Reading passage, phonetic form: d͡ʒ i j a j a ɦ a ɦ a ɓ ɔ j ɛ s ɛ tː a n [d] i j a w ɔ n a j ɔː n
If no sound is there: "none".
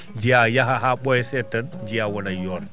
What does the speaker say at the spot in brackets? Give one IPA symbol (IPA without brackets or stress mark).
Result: d͡ʒ